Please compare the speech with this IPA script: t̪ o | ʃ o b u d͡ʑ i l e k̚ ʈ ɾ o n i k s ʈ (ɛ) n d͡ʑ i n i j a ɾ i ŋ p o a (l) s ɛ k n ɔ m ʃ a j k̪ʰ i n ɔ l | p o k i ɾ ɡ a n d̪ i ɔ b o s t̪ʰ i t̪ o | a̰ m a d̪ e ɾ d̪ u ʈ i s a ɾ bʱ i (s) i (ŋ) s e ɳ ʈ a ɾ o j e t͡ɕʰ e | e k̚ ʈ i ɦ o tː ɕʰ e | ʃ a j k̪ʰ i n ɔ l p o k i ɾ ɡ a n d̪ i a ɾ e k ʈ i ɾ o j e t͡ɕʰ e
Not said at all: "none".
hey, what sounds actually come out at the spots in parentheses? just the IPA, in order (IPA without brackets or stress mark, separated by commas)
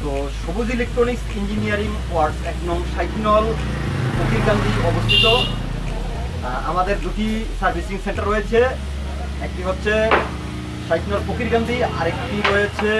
i, ɾ, s, ŋ